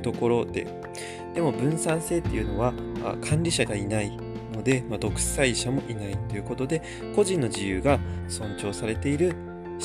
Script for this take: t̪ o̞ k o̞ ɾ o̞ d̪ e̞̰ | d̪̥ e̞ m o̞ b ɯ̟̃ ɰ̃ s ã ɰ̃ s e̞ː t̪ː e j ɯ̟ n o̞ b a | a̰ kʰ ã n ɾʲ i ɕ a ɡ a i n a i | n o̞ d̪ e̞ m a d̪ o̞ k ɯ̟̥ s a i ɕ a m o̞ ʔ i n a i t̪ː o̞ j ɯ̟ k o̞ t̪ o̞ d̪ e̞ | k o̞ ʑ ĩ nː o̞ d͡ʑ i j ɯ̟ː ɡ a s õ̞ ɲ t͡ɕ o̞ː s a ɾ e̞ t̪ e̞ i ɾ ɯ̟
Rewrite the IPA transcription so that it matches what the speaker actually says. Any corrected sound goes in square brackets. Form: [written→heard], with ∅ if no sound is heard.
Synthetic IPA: t̪ o̞ k o̞ ɾ o̞ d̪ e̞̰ | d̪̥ e̞ m o̞ b ɯ̟̃ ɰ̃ s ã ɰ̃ s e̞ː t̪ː e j ɯ̟ n o̞ [b→β] a | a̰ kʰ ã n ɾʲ i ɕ a ɡ a i n a i | n o̞ d̪ e̞ m a d̪ o̞ k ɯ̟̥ s a i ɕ a m o̞ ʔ i n a i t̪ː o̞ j ɯ̟ k o̞ t̪ o̞ d̪ e̞ | k o̞ ʑ ĩ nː o̞ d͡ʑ i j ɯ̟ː ɡ a s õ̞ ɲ t͡ɕ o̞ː s a ɾ e̞ t̪ e̞ i ɾ ɯ̟